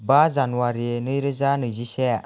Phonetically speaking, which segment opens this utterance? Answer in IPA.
b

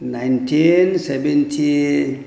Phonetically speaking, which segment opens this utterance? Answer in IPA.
n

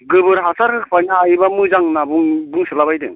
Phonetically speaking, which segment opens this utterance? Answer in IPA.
ɡ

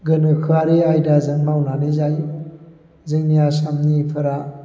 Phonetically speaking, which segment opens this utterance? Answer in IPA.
ɡ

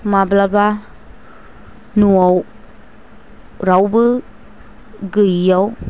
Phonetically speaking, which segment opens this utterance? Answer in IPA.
m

